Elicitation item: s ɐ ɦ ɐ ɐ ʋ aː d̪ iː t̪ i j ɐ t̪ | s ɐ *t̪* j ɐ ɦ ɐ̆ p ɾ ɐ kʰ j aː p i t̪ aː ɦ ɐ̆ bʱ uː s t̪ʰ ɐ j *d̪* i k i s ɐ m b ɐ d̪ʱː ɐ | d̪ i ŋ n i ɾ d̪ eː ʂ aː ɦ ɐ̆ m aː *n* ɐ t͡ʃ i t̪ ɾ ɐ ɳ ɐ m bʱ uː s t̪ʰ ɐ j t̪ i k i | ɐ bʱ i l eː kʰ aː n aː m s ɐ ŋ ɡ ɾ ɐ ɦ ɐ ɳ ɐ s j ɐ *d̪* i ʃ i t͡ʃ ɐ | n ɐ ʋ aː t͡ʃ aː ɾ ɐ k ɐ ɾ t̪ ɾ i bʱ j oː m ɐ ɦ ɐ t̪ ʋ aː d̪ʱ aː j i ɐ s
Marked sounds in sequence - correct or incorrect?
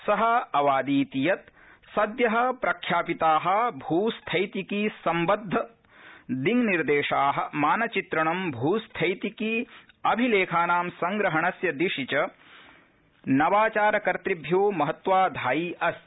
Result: incorrect, incorrect, correct, correct

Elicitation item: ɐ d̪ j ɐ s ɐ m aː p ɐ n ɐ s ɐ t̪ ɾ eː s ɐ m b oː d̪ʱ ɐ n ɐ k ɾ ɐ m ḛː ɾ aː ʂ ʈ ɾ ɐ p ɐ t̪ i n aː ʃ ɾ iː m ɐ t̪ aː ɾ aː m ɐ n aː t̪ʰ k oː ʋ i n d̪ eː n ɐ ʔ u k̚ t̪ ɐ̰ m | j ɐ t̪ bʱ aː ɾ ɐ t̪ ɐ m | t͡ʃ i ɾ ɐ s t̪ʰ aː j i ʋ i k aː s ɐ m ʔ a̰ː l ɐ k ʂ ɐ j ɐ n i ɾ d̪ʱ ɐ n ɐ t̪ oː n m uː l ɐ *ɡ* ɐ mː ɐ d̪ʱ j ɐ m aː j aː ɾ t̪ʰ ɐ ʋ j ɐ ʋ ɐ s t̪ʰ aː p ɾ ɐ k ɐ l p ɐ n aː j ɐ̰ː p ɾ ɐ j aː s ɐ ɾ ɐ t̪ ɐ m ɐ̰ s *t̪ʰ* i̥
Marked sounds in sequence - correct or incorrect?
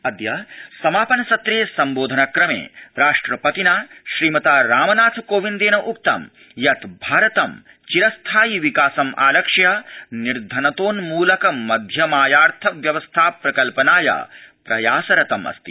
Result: incorrect, incorrect

